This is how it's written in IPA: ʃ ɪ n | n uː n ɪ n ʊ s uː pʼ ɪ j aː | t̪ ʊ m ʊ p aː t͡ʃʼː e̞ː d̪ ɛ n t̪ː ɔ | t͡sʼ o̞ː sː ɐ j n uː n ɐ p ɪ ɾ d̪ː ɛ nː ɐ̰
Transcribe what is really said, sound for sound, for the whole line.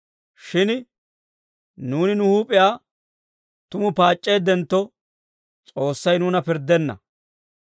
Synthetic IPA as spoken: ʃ ɪ n | n uː n ɪ n ʊ h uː pʼ ɪ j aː | t̪ ʊ m ʊ p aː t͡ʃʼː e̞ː d̪ ɛ n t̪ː ɔ | t͡sʼ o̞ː sː ɐ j n uː n ɐ p ɪ ɾ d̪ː ɛ nː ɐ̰